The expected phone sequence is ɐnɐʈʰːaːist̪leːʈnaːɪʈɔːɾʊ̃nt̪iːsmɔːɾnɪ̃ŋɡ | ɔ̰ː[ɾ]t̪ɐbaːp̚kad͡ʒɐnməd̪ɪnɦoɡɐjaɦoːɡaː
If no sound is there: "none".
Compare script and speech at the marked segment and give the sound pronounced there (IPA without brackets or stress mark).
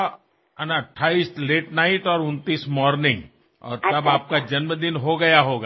ɾ